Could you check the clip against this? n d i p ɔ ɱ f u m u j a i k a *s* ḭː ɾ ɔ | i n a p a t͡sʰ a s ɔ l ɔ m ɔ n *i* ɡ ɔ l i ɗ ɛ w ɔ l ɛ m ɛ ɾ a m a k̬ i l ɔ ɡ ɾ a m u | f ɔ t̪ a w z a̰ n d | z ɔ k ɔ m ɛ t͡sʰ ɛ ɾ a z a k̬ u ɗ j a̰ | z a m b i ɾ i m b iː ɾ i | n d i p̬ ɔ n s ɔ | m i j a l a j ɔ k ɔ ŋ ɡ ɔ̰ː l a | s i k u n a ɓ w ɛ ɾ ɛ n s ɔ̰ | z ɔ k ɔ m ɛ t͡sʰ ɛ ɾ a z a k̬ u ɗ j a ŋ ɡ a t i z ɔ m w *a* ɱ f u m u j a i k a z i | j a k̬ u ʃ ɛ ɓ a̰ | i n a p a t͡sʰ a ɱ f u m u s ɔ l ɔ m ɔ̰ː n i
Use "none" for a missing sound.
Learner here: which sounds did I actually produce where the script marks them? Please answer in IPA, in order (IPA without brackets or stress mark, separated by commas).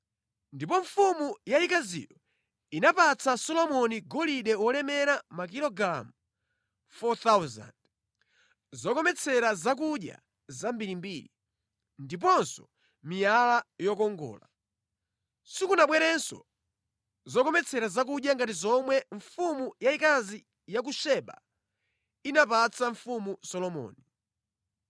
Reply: z, i, ɛ